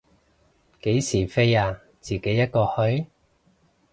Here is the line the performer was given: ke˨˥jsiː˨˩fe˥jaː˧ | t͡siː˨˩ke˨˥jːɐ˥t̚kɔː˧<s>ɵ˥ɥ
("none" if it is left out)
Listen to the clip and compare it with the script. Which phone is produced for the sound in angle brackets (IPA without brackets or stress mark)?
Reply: h